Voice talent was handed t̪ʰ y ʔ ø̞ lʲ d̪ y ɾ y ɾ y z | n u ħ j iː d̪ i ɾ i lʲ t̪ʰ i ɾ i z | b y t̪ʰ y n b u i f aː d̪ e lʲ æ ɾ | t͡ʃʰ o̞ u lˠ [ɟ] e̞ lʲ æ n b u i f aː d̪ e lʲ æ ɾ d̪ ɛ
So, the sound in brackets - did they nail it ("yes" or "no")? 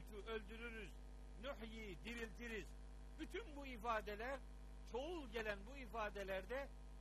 yes